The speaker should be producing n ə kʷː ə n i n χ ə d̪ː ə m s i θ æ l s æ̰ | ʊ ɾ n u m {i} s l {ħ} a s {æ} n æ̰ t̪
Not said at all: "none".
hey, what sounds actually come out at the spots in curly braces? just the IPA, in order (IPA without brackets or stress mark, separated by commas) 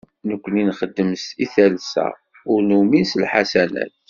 i, ħ, æ